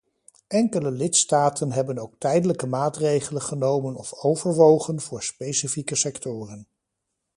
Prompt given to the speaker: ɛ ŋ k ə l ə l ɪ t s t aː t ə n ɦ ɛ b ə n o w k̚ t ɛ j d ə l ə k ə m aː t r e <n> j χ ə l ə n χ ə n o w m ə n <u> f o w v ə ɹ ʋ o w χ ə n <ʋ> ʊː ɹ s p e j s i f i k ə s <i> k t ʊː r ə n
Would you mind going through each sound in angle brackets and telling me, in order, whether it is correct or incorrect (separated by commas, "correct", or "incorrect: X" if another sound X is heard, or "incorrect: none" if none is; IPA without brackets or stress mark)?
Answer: incorrect: none, incorrect: ɔ, incorrect: v, incorrect: ɛ